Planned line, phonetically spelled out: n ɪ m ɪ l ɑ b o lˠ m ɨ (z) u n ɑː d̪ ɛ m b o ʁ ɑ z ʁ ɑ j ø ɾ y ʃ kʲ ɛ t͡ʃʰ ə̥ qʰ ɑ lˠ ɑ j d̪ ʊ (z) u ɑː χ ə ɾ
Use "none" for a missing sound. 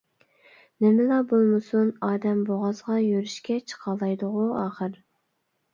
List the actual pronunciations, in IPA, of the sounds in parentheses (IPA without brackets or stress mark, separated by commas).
s, ʁ